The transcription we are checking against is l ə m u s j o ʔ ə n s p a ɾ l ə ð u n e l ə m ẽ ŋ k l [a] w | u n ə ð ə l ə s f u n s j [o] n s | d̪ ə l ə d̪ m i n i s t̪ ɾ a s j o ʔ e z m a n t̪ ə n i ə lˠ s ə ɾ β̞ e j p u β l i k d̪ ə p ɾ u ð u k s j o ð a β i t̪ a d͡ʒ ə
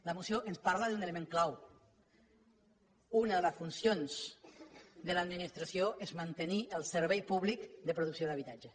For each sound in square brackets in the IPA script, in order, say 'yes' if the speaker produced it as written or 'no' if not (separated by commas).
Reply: yes, yes